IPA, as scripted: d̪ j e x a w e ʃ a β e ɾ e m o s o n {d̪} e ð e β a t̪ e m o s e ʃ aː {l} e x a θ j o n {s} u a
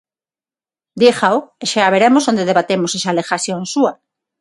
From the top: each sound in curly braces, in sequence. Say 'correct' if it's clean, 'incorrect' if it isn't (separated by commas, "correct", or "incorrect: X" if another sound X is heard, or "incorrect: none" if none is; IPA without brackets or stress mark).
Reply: correct, correct, correct